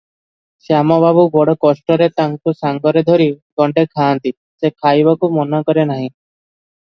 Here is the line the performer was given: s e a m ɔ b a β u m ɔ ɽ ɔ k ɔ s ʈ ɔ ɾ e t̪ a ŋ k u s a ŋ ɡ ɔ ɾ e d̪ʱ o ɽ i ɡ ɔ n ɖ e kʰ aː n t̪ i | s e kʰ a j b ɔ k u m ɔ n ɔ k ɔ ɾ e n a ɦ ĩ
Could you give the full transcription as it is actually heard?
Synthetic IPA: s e a m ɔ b a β u b ɔ ɽ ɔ k ɔ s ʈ ɔ ɾ e t̪ a ŋ k u s a ŋ ɡ ɔ ɾ e d̪ʱ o ɾ i ɡ ɔ ɳ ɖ e kʰ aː n t̪ i | s e kʰ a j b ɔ k u m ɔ n ɔ k ɔ ɾ e n a ɦ ĩ